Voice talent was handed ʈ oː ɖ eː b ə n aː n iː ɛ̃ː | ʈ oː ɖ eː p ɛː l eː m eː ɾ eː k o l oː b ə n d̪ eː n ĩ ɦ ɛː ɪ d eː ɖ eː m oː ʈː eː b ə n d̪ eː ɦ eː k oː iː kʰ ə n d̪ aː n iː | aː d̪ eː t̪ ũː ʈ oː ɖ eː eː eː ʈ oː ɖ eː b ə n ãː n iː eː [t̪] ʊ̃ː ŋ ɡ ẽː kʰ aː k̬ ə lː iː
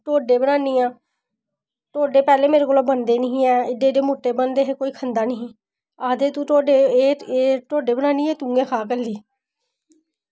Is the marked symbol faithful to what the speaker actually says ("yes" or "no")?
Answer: yes